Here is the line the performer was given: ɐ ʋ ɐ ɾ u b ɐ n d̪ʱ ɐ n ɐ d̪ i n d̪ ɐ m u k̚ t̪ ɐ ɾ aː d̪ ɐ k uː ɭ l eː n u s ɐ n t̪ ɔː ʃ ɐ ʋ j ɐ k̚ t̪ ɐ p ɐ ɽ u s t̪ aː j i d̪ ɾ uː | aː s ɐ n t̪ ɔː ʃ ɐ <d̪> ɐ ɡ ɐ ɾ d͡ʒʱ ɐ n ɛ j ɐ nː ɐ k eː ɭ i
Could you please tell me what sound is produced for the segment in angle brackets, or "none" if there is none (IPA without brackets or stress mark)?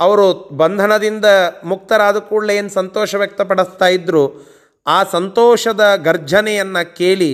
d̪